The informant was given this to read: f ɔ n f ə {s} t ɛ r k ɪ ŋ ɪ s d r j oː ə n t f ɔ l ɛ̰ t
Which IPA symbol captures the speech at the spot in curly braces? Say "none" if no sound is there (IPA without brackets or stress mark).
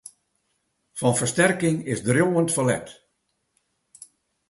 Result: s